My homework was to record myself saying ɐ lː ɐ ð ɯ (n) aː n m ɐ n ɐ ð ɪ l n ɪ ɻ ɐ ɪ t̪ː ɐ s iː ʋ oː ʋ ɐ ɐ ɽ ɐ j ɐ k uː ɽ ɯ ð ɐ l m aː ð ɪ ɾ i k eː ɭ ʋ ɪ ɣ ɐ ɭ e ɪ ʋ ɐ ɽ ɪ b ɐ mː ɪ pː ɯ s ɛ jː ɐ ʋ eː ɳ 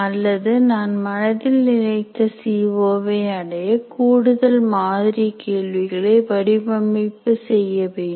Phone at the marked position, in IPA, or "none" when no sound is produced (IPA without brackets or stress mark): n